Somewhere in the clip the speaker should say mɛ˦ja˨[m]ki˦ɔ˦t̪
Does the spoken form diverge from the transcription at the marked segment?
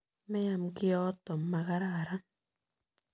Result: no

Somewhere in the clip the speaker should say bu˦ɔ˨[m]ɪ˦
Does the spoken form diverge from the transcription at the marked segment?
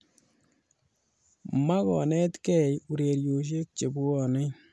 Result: yes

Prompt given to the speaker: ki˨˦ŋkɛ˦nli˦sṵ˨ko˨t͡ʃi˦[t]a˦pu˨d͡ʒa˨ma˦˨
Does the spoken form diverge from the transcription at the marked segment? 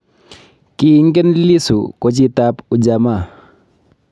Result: no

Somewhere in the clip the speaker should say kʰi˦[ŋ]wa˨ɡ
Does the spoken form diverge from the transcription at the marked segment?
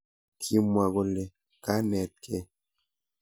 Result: yes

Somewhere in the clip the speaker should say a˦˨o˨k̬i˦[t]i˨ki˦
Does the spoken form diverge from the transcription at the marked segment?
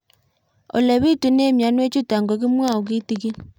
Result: no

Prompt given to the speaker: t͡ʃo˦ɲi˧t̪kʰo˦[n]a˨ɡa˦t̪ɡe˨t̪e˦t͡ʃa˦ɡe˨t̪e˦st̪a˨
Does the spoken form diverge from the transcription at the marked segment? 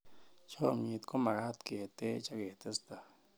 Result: yes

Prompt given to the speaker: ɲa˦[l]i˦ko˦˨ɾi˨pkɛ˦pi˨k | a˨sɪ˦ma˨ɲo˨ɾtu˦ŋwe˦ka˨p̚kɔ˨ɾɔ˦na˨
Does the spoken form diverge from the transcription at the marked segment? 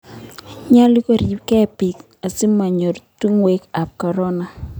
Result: no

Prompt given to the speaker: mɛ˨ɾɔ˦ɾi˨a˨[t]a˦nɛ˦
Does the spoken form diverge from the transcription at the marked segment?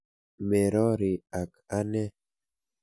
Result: yes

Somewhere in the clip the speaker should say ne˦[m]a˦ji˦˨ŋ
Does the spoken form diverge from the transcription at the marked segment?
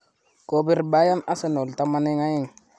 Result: yes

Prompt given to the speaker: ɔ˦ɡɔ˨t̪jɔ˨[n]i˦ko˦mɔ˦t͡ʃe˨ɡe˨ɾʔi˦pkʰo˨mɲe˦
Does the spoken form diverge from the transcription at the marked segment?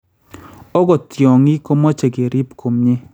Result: yes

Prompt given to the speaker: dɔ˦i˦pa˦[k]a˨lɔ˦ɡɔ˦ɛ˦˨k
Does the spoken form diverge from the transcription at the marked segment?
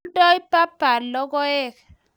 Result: yes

